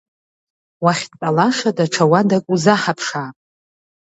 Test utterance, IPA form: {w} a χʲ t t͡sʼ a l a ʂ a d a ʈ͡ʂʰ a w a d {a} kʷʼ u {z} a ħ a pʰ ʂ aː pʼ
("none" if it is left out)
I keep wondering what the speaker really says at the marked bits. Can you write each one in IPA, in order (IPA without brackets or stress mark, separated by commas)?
w, a, z